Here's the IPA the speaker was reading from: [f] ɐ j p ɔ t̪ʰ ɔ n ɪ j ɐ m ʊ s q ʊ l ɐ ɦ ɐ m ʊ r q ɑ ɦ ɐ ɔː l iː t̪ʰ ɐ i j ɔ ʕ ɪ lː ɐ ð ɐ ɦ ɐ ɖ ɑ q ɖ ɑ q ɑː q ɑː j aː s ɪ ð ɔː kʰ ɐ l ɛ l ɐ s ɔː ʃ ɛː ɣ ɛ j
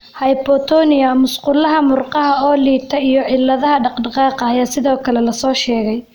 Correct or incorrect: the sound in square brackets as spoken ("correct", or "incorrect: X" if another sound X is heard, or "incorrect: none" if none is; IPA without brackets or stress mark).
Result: incorrect: h